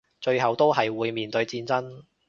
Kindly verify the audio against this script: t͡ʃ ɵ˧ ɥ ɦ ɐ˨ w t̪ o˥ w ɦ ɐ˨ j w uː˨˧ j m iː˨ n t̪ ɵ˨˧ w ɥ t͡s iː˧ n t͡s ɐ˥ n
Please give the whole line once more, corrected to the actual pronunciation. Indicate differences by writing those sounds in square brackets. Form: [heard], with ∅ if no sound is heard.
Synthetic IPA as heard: t͡ʃ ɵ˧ ɥ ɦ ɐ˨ w t̪ o˥ w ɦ ɐ˨ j w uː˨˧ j m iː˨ n t̪ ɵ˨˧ [∅] ɥ t͡s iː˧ n t͡s ɐ˥ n